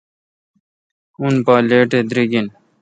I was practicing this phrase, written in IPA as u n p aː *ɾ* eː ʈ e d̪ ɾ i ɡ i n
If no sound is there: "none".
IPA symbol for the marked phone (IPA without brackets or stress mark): l